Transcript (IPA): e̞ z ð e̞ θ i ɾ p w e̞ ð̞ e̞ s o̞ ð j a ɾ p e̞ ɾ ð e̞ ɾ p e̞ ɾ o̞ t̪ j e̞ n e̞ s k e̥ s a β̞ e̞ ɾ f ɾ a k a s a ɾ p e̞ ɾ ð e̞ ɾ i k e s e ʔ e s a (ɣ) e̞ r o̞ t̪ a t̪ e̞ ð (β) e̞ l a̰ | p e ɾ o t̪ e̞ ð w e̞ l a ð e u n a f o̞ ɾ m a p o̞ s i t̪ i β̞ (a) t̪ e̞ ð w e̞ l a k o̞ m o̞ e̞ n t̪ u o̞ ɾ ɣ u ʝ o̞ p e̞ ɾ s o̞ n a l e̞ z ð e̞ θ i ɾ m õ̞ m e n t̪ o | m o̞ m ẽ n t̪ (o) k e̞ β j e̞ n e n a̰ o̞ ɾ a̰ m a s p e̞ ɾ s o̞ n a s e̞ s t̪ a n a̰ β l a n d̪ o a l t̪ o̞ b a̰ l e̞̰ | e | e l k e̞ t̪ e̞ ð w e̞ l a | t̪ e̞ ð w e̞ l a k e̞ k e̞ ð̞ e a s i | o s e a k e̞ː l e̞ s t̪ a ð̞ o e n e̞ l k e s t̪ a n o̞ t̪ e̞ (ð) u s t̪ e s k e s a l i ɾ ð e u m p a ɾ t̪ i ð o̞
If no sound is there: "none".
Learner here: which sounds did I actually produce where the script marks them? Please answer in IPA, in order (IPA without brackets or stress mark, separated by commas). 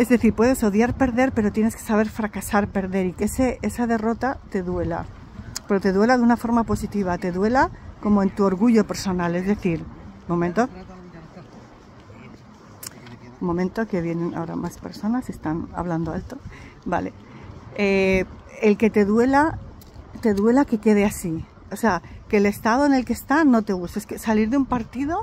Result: ð, w, a, o, ɣ